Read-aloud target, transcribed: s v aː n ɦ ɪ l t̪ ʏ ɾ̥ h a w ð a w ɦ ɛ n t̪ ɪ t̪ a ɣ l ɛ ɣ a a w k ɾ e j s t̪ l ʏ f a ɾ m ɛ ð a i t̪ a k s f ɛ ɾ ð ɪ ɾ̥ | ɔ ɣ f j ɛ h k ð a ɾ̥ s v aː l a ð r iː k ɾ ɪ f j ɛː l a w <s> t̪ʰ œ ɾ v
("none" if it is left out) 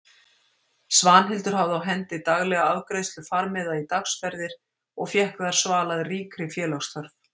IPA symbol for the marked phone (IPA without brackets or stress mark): s